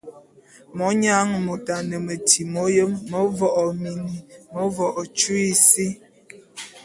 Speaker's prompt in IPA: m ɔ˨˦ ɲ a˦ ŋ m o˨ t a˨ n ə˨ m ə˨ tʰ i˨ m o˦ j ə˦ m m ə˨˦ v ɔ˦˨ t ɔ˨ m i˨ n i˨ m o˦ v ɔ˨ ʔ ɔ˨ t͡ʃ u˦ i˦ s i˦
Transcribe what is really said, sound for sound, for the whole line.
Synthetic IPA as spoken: m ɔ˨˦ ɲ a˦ ŋ m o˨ t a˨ n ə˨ m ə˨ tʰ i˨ m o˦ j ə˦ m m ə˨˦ v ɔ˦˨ ʔ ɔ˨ m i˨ n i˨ m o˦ v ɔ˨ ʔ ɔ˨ t͡ʃ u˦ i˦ s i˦